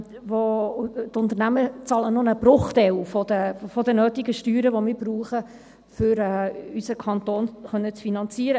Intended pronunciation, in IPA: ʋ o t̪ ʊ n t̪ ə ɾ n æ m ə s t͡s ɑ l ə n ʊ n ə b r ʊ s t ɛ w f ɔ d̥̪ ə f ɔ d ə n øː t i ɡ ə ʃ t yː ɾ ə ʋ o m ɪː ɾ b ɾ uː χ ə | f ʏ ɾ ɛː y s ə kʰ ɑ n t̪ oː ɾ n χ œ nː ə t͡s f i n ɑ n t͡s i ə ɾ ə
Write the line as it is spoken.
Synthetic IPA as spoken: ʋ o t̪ ʊ n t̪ ə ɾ n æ m ə t͡s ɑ l ə n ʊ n ə b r ʊ χ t ɛ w f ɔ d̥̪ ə f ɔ d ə n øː t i ɡ ə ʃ t yː ɾ ə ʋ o m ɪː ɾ b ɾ uː χ ə | f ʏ ɾ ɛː y s ə kʰ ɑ n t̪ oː n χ œ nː ə t͡s f i n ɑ n t͡s i ə ɾ ə